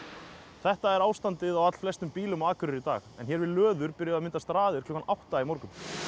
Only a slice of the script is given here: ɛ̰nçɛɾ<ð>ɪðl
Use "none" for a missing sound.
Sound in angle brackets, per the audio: v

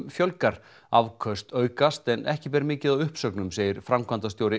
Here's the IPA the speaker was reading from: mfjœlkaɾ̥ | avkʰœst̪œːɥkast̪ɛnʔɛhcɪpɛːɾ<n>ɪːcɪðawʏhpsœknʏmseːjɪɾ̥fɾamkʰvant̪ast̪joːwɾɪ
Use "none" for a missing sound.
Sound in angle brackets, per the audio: m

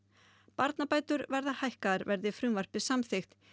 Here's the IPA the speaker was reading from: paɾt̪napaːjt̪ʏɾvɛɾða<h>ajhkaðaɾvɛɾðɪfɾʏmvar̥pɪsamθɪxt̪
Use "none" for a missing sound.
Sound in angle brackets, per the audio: h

